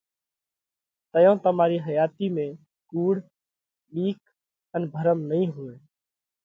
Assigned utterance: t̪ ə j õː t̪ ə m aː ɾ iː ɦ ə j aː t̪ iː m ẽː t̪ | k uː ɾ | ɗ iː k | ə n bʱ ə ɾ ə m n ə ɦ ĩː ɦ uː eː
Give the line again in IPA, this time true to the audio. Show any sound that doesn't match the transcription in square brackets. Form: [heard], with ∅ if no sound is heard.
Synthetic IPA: t̪ ə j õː t̪ ə m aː ɾ iː ɦ ə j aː t̪ iː m ẽː [∅] | k uː [ɽ] | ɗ iː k | ə n bʱ ə ɾ ə m n ə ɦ ĩː ɦ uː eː

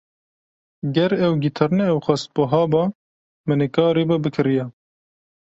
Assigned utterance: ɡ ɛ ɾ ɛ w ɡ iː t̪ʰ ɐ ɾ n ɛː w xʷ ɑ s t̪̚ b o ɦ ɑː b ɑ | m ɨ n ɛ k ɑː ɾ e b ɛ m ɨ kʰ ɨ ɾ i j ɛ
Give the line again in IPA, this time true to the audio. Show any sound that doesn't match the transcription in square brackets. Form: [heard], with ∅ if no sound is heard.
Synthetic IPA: ɡ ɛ ɾ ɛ w ɡ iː t̪ʰ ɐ ɾ n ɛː w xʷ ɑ s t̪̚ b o ɦ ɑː b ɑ | m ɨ n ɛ k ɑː ɾ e b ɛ [b] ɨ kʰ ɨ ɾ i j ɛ

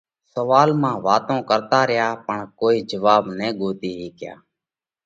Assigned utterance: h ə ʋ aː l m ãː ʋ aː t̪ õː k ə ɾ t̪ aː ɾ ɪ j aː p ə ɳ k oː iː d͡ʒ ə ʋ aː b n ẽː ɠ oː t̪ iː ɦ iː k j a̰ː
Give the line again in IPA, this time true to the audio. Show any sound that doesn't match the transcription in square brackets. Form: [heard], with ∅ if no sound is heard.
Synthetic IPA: [s] ə ʋ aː l m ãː ʋ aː t̪ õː k ə ɾ t̪ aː ɾ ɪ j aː p ə ɳ k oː iː d͡ʒ ə ʋ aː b n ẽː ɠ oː t̪ iː ɦ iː k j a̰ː

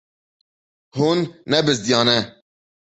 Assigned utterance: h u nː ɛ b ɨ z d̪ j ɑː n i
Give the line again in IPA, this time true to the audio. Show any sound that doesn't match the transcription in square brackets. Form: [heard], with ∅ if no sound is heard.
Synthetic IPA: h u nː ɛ b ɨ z d̪ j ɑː n [ɛ]

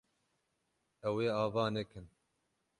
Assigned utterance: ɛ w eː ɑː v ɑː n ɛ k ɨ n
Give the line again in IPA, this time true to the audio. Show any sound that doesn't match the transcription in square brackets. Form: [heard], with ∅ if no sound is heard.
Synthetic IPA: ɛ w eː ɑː v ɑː n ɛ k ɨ n

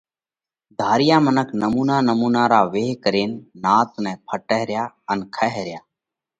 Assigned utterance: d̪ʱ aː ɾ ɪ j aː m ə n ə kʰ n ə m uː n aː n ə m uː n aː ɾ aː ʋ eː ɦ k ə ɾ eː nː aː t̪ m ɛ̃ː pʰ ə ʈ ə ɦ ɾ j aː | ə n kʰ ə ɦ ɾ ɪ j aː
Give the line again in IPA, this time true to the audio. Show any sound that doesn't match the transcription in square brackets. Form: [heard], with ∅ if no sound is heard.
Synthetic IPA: d̪ʱ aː ɾ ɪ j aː m ə n ə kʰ n ə m uː n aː n ə m uː n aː ɾ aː ʋ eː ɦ k ə ɾ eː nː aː t̪ [n] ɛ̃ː pʰ ə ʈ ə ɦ ɾ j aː | ə n kʰ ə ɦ ɾ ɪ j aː

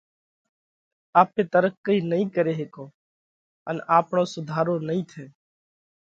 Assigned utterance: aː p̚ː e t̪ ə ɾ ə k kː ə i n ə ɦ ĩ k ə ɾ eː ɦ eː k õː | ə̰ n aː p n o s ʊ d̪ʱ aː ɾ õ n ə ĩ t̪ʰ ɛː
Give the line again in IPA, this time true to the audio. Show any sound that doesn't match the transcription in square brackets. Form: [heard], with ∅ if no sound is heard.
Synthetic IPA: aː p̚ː e t̪ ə ɾ ə k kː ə i n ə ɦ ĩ k ə ɾ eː ɦ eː k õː | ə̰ n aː p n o s ʊ d̪ʱ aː ɾ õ n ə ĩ t̪ʰ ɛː

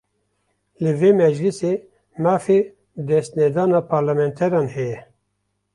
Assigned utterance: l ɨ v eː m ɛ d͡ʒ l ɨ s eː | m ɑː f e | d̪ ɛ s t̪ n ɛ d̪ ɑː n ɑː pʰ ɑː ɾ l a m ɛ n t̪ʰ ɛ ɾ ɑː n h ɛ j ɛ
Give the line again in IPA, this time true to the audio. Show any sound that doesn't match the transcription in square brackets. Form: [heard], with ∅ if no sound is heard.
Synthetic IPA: l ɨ v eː m ɛ d͡ʒ l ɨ s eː | m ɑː f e | d̪ ɛ s t̪ n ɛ d̪ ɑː n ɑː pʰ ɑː ɾ l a m ɛ n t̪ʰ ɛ ɾ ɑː n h ɛ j ɛ

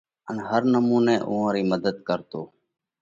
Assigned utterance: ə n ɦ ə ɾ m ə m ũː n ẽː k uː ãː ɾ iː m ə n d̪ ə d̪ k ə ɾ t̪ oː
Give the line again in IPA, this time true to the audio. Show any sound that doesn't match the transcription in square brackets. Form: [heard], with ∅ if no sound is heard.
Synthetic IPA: ə n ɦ ə ɾ [n] ə m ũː n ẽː [ʔ] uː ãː ɾ iː m ə [∅] d̪ ə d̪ k ə ɾ t̪ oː

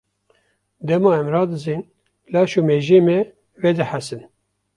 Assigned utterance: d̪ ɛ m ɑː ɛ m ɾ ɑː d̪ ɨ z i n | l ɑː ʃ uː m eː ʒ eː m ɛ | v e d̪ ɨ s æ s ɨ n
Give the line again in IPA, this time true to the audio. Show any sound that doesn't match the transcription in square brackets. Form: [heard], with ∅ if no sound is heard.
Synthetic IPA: d̪ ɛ m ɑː ɛ m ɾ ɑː d̪ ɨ z i n | l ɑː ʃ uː m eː ʒ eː m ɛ | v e d̪ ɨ [ħ] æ s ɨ n

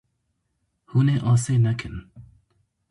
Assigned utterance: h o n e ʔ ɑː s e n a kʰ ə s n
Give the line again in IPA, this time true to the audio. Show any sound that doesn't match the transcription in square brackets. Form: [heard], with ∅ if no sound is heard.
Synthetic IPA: h [u] n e ʔ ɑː s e n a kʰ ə [∅] n

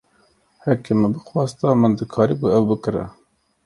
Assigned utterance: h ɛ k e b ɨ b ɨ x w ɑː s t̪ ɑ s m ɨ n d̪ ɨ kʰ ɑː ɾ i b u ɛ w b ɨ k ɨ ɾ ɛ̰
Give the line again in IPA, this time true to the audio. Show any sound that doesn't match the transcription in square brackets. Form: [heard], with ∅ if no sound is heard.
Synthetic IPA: h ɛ k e [m] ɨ b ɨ x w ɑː s t̪ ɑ [∅] m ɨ n d̪ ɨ kʰ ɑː ɾ i b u ɛ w b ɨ k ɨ ɾ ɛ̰

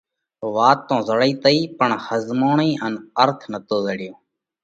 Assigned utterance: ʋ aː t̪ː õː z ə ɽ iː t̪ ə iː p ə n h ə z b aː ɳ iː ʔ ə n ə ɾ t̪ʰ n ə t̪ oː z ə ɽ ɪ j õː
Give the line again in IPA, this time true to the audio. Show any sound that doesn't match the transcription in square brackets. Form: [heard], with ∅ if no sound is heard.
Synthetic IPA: ʋ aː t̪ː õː z ə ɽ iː t̪ ə iː p ə [ɳ] h ə z [m] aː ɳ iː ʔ ə n ə ɾ t̪ʰ n ə t̪ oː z ə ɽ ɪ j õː

